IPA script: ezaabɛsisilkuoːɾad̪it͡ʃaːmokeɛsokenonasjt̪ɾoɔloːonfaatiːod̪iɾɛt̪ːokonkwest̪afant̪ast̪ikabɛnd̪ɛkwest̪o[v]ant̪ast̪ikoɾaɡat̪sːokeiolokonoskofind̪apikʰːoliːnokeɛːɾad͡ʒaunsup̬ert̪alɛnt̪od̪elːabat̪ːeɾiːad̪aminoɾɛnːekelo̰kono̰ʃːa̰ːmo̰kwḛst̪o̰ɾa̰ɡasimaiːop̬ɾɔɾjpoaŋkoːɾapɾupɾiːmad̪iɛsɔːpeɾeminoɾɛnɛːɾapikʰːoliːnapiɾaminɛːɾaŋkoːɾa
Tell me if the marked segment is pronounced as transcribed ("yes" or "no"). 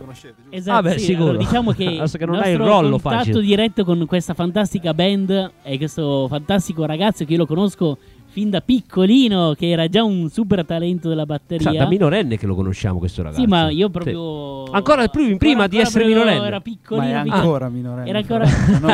no